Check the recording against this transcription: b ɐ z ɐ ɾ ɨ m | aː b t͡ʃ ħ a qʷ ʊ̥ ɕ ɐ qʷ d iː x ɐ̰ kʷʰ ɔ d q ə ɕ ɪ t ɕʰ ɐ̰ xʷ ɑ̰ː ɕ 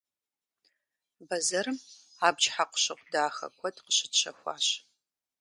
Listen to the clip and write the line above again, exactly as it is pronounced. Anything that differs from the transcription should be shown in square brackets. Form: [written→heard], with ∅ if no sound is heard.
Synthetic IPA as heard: b ɐ z ɐ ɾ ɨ m | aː b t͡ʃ ħ a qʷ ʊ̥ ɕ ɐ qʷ d [iː→aː] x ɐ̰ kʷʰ ɔ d q ə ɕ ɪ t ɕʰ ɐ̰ xʷ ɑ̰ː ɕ